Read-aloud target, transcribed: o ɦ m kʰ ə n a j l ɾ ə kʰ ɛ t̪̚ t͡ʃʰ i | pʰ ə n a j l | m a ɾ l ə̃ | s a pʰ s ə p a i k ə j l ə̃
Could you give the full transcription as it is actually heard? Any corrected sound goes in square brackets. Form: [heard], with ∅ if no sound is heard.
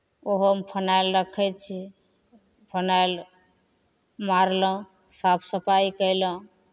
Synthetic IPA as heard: o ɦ m [pʰ] ə n a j l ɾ ə kʰ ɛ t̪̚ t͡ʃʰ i | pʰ ə n a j l | m a ɾ l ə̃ | s a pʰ s ə p a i k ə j l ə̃